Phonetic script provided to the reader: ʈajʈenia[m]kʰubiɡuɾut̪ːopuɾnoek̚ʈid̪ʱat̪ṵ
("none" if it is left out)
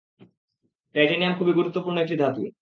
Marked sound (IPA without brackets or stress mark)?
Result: m